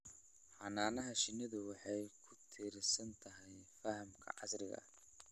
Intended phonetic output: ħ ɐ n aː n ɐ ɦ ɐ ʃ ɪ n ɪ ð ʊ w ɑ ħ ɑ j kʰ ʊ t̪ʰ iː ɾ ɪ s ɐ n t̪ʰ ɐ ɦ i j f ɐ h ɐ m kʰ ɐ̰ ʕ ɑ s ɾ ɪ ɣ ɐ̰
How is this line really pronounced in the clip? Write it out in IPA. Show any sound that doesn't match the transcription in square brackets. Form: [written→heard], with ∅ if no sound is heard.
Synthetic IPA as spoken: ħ [ɐ→ɑ] n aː n ɐ ɦ ɐ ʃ ɪ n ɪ ð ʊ w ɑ ħ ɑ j kʰ ʊ t̪ʰ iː ɾ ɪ s ɐ n t̪ʰ ɐ ɦ [i→ɛ] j f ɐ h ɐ m kʰ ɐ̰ ʕ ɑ s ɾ ɪ ɣ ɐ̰